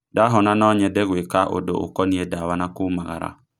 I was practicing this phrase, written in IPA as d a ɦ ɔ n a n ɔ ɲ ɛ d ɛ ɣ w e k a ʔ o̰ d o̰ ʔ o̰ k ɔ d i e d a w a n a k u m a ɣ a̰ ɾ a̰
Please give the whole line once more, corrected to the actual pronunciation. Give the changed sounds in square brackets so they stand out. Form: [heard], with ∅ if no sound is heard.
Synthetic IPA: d a ɦ ɔ n a n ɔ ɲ ɛ d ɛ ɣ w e k a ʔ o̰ d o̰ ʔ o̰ k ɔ [n] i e d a w a n a k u m a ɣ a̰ ɾ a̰

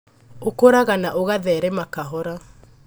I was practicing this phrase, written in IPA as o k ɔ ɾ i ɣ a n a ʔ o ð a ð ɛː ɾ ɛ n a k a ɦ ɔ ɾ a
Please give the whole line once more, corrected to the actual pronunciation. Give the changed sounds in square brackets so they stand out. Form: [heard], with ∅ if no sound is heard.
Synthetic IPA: o k [o] ɾ [a] ɣ a n a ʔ o [ɣ] a ð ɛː ɾ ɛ [m] a k a ɦ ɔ ɾ a

